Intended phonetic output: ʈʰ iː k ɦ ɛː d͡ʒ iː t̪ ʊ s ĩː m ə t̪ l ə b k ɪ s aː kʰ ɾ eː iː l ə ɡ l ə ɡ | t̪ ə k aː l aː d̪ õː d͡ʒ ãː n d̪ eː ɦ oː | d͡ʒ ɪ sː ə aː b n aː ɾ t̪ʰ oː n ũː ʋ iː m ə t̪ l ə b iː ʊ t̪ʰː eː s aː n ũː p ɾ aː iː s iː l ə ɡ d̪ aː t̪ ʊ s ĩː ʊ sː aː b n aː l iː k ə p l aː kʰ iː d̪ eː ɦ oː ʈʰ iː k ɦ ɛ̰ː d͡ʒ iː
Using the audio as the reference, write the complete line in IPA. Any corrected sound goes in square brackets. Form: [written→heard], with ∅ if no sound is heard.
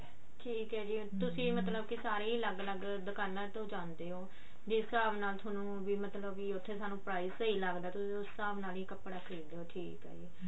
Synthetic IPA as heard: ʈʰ iː k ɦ ɛː d͡ʒ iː t̪ ʊ s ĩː m ə t̪ l ə b k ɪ s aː [kʰ→∅] ɾ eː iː l ə ɡ l ə ɡ | [t̪→d̪] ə k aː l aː [d̪→t̪] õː d͡ʒ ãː n d̪ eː ɦ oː | d͡ʒ ɪ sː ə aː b n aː [ɾ→l] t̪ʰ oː n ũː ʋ iː m ə t̪ l ə b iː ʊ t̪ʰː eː s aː n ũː p ɾ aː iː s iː l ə ɡ d̪ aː t̪ ʊ s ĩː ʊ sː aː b n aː l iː k ə p [l→ɽ] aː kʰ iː d̪ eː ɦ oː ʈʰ iː k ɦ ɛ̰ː d͡ʒ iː